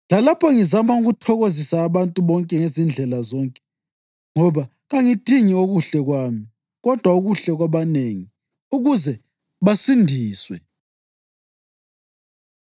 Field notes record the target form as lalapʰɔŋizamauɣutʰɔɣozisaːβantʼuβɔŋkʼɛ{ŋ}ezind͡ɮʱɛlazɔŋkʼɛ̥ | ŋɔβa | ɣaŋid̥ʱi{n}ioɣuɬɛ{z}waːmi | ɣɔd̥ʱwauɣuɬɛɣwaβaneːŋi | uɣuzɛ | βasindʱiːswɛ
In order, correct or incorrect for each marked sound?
correct, incorrect: ŋ, incorrect: ɣ

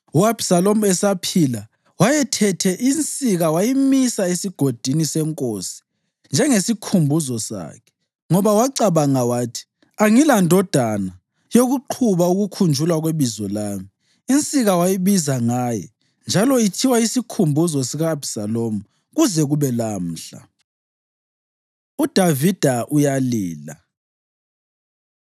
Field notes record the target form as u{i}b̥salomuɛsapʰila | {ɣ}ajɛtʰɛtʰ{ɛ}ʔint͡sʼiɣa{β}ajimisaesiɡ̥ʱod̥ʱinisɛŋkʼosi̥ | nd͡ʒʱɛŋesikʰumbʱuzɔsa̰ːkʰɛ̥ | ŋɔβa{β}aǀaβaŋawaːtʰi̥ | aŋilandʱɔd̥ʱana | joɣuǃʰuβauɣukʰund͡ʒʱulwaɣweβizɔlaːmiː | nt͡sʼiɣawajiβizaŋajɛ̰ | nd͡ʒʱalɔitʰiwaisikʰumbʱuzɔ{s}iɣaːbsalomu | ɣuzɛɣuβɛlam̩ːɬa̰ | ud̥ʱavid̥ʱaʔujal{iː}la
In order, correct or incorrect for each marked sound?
incorrect: a, incorrect: w, correct, incorrect: w, incorrect: w, correct, correct

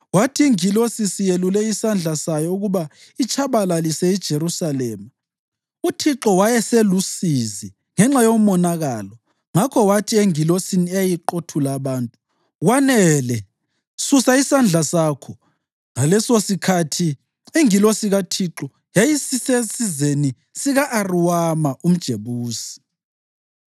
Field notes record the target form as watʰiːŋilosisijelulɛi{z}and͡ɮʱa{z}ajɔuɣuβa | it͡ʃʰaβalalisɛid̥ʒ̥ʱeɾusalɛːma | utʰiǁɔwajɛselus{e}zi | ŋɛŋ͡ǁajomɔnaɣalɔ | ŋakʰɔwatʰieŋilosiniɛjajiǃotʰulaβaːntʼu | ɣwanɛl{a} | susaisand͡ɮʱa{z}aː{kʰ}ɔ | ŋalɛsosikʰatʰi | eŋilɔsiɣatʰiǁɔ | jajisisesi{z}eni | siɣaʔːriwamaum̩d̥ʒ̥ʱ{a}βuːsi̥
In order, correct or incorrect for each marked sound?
incorrect: s, incorrect: s, incorrect: i, incorrect: ɛ, incorrect: s, correct, correct, incorrect: e

